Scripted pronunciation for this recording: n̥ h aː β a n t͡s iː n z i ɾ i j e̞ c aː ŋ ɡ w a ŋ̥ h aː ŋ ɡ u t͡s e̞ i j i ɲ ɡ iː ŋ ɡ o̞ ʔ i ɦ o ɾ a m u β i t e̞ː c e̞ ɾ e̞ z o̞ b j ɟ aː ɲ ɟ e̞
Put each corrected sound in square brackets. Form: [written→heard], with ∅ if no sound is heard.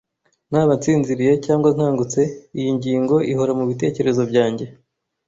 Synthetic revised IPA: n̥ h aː β a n t͡s iː n z i ɾ i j e̞ c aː ŋ ɡ w a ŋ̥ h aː ŋ ɡ u t͡s e̞ i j i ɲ [ɡ→ɟ] iː ŋ ɡ o̞ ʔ i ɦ o ɾ a m u β i t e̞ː c e̞ ɾ e̞ z o̞ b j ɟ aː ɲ ɟ e̞